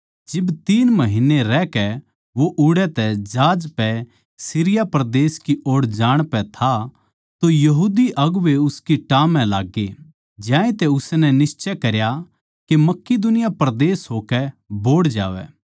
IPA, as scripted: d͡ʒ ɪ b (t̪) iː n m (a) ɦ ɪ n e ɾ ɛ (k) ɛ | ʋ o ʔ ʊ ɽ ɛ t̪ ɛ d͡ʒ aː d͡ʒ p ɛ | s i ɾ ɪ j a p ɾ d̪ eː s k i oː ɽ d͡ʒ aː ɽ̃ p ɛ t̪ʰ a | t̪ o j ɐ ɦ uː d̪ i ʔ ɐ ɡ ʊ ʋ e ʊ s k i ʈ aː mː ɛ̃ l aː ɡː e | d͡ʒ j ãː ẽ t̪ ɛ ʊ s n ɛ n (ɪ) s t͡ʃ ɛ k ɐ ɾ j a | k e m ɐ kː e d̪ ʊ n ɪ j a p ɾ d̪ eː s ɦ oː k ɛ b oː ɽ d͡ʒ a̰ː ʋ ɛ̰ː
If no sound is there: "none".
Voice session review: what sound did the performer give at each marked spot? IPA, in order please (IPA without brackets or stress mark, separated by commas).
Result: t̪, ɐ, k, ɪ